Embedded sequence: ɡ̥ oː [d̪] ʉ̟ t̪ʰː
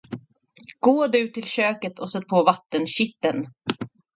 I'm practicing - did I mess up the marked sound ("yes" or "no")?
no